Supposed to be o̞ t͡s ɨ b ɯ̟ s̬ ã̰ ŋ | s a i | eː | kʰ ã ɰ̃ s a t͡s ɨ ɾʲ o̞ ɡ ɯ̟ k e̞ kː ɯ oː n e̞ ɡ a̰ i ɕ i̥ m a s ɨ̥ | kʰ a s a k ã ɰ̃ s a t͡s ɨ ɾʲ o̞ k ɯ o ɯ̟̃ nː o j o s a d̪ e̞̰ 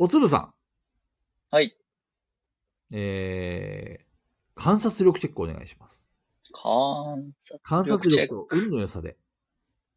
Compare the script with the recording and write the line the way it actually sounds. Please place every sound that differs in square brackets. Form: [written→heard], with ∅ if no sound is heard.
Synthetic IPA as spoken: o̞ t͡s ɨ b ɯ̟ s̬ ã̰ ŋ | [s→h] a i | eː | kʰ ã ɰ̃ s a t͡s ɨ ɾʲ o̞ [ɡ→k] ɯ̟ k e̞ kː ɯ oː n e̞ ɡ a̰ i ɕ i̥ m a s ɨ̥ | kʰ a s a k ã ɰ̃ s a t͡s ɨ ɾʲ o̞ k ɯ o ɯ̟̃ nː o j o s a d̪ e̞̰